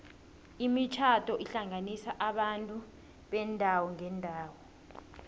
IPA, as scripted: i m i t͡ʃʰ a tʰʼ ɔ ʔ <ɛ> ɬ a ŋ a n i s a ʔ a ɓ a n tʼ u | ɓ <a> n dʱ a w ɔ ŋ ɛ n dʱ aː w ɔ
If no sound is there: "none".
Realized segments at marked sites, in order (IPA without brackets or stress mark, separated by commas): i, ɛ